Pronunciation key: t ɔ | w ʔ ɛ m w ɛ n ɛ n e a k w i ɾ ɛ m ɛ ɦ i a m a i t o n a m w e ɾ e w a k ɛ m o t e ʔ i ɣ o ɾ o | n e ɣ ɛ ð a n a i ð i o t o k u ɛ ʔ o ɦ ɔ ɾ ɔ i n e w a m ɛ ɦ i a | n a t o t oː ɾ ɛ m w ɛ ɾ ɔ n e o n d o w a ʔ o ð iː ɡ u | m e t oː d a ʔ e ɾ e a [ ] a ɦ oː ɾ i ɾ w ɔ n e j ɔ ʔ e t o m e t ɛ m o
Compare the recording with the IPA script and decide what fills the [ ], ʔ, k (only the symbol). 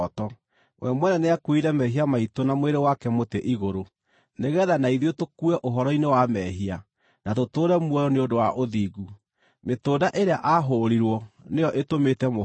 ʔ